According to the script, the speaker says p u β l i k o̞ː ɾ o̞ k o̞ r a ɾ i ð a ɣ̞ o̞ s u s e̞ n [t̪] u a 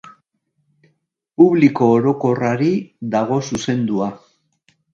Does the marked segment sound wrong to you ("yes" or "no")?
yes